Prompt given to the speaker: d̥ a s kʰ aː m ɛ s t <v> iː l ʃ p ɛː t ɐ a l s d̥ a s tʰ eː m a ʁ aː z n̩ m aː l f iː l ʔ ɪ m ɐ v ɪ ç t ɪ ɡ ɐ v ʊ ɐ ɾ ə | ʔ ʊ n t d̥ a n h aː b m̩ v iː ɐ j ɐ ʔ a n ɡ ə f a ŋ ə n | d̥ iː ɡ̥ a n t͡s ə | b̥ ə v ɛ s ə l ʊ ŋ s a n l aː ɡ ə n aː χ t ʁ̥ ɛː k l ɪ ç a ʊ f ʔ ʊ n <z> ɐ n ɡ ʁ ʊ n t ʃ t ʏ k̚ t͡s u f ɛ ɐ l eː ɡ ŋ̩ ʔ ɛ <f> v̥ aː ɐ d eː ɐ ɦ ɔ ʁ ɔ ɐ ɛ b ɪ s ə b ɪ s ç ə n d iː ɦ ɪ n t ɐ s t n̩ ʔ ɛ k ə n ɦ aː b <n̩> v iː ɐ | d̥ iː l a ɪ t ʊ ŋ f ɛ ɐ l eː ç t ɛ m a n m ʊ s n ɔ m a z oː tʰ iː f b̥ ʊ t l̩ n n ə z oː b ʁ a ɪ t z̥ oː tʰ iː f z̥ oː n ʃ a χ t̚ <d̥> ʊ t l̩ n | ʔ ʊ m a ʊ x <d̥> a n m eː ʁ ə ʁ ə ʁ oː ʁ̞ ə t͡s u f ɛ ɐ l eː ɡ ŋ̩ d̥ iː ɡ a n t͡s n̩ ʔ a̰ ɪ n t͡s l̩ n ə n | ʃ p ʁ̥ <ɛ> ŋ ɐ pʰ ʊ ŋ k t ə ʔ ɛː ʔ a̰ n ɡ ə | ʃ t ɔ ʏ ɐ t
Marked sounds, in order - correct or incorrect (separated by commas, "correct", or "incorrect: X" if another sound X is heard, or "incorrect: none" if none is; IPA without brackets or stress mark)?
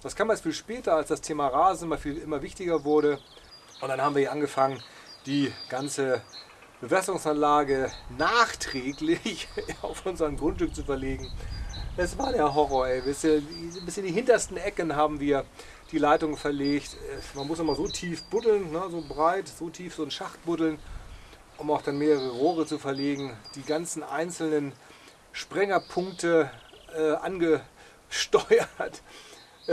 incorrect: f, correct, incorrect: s, incorrect: m̩, incorrect: b̥, correct, correct